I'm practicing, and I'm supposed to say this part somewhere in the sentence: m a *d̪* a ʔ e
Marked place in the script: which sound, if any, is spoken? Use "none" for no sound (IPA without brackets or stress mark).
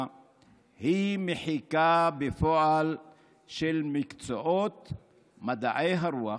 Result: d̪